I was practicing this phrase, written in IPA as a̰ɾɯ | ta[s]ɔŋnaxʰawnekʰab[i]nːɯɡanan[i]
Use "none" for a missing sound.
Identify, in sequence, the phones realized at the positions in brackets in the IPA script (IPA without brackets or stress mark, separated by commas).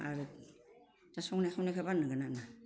s, a, a